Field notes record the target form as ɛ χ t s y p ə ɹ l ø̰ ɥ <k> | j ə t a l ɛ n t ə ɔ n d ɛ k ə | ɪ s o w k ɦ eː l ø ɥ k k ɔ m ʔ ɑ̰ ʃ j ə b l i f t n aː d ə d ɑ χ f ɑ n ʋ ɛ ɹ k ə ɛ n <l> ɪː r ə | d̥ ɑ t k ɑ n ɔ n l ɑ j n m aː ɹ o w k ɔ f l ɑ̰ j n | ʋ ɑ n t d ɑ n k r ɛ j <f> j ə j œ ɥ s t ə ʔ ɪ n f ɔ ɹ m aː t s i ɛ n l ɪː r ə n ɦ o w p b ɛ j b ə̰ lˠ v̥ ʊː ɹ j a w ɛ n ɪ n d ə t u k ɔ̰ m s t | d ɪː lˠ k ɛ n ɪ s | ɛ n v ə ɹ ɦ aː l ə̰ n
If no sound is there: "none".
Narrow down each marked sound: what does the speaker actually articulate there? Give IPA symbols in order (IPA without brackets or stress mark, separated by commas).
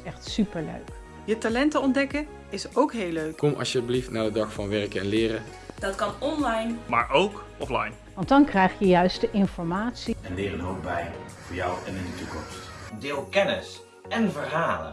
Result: k, l, χ